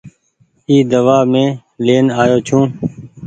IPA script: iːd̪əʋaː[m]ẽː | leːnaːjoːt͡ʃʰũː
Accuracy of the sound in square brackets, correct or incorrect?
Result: correct